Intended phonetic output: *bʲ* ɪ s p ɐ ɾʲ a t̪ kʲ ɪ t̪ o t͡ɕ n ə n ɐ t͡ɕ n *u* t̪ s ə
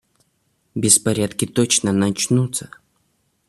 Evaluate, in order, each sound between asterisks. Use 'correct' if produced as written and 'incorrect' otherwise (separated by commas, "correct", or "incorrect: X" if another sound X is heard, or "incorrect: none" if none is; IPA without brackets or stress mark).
correct, correct